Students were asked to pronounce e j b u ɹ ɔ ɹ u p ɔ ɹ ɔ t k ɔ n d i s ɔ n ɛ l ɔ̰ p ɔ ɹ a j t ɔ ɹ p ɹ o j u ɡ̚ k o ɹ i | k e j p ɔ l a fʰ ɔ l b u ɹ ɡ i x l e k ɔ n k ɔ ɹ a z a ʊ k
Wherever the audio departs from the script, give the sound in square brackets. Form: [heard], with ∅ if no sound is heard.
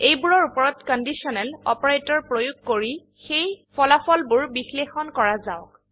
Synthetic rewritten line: e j b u ɹ ɔ ɹ u p ɔ ɹ ɔ t k ɔ n d i s ɔ n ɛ l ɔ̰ p ɔ ɹ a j t ɔ ɹ p ɹ o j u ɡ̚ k o ɹ i | [x] e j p ɔ l a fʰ ɔ l b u ɹ [b] i x l e [x] ɔ n k ɔ ɹ a z a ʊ k